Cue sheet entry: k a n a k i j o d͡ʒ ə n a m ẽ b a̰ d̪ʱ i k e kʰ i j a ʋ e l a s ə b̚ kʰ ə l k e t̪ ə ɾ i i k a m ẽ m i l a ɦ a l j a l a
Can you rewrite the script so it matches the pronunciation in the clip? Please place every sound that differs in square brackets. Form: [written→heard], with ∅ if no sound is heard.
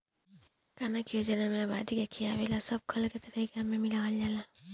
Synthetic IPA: k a n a k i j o d͡ʒ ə n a m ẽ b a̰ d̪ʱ i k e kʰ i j a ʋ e l a s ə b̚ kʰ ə l k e t̪ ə ɾ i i k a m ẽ m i l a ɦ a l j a l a